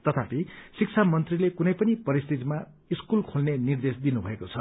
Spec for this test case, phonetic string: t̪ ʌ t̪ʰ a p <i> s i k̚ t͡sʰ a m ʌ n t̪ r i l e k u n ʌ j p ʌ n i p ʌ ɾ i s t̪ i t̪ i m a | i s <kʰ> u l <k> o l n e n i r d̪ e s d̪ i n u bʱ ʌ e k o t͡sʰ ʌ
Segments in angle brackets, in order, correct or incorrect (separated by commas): correct, incorrect, incorrect